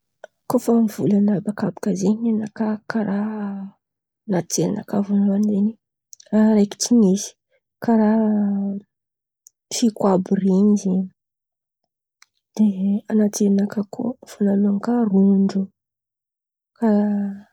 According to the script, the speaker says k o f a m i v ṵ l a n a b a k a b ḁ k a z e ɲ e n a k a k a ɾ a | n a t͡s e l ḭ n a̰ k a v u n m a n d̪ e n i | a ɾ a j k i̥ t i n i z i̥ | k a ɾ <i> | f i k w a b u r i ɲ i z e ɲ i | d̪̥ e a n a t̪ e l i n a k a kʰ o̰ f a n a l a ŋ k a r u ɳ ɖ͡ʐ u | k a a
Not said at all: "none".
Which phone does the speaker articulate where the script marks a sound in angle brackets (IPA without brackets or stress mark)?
a